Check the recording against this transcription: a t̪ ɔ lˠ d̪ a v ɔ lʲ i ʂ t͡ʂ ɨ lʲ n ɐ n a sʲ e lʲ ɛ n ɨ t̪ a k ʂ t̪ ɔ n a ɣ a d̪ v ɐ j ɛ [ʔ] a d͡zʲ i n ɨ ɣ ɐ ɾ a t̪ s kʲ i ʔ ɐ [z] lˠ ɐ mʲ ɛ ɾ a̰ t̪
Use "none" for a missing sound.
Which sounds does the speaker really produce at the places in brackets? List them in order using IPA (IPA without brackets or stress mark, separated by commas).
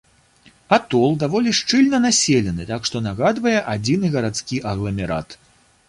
ʔ, ɣ